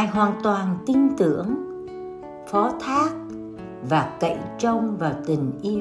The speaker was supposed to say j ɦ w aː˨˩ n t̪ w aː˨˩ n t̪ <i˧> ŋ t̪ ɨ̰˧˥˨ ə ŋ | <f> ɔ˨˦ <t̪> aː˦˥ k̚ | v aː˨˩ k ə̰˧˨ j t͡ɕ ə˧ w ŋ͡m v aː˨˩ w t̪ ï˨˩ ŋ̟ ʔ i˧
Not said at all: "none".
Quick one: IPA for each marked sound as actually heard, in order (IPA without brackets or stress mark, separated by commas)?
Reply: i˧, f, t̪ʰ